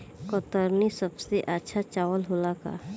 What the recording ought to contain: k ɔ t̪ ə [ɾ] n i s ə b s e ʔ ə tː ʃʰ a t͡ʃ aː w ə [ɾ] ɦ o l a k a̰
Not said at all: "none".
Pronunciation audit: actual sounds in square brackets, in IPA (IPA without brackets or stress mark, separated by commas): ɾ, l